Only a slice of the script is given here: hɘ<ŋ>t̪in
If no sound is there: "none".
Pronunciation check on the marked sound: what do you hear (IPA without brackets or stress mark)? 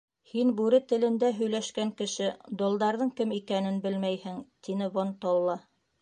ŋ